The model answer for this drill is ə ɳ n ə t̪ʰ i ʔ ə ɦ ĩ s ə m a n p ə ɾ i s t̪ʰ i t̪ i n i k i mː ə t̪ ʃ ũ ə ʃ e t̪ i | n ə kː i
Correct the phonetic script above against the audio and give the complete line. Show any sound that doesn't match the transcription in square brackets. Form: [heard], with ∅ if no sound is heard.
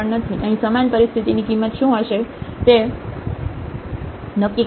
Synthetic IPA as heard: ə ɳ n ə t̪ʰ i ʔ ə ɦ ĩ s ə m a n p ə ɾ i s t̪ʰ i t̪ i n i k i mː ə t̪ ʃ ũ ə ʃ e t̪ [e] | n ə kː i